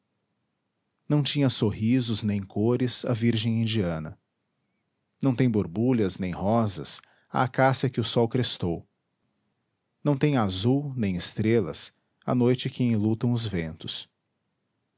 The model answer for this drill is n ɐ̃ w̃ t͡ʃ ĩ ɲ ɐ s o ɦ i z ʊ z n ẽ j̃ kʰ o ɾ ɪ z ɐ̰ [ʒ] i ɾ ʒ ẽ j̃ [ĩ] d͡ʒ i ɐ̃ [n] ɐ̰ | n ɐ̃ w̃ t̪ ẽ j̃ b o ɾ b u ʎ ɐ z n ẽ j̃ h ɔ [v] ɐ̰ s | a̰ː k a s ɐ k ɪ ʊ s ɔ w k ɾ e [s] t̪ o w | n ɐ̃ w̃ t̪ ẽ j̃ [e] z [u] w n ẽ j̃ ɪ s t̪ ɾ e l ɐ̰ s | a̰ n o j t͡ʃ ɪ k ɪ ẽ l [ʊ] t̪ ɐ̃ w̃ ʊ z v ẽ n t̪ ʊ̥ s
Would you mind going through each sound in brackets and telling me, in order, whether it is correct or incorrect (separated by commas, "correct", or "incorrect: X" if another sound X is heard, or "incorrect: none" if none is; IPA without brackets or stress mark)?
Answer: incorrect: v, correct, correct, incorrect: z, correct, incorrect: a, correct, incorrect: u